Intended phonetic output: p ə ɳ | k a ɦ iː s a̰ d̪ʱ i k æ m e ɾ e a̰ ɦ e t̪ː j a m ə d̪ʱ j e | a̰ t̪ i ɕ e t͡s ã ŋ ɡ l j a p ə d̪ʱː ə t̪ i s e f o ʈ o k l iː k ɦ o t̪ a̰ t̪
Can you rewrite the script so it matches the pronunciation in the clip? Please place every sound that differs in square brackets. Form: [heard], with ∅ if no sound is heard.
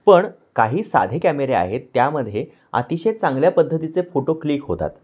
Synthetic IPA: p ə ɳ | k a ɦ iː s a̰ d̪ʱ [e] k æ m e ɾ e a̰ ɦ e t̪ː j a m ə d̪ʱ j e | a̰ t̪ i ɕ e t͡s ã ŋ ɡ l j a p ə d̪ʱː ə t̪ i [t͡s] e f o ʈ o k l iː k ɦ o t̪ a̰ t̪

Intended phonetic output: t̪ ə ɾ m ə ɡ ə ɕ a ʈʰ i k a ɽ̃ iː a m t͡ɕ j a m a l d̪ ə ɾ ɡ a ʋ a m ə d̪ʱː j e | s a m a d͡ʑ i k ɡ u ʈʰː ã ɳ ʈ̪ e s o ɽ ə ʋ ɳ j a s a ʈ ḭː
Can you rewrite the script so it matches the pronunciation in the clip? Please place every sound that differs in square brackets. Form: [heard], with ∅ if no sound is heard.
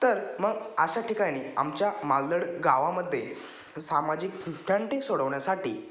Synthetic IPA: t̪ ə ɾ m ə ɡ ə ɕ a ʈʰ i k a ɽ̃ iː a m t͡ɕ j a m a l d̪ ə [ɽ] ɡ a ʋ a m ə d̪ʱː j e | s a m a d͡ʑ i k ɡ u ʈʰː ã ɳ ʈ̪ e s o ɽ ə ʋ ɳ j a s a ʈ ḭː

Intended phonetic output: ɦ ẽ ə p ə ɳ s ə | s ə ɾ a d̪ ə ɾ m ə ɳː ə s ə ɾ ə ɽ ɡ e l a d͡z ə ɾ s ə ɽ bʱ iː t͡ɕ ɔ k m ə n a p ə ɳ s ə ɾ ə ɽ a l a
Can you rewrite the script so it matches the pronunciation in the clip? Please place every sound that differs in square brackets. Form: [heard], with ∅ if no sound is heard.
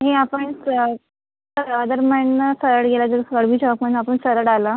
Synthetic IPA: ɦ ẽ [a] p ə ɳ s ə | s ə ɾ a d̪ ə ɾ m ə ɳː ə s ə ɾ ə ɽ ɡ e l a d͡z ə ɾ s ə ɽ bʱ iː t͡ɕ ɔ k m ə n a p ə ɳ s ə ɾ ə ɽ a l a

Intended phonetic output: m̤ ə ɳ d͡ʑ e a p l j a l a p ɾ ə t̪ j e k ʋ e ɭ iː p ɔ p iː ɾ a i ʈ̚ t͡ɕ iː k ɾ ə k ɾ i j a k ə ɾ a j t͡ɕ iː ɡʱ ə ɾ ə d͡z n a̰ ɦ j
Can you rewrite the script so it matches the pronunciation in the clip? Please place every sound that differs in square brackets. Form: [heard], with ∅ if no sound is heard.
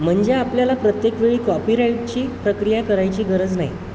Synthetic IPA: m̤ ə ɳ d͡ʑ e a p l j a l a p ɾ ə t̪ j e k ʋ e ɭ iː [k] ɔ p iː ɾ a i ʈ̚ t͡ɕ iː [p] ɾ ə k ɾ i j a k ə ɾ a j t͡ɕ iː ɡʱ ə ɾ ə d͡z n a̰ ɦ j

